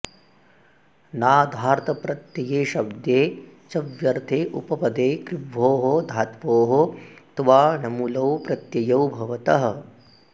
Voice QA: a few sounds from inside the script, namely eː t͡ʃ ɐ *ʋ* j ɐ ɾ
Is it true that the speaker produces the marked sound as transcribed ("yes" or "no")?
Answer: yes